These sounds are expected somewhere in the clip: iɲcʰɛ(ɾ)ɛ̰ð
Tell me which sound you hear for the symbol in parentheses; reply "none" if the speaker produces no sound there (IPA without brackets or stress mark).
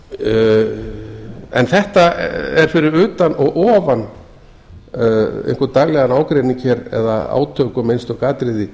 ɾ